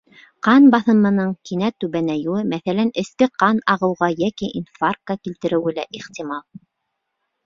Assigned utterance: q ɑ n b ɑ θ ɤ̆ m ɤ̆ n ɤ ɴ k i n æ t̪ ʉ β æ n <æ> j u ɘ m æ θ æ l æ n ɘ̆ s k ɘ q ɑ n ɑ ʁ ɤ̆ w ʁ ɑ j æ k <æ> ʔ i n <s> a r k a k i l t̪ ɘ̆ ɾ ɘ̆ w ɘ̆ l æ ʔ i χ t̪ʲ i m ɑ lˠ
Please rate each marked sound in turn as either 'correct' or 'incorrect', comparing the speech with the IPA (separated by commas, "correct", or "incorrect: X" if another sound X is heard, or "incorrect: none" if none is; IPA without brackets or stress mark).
correct, incorrect: i, incorrect: f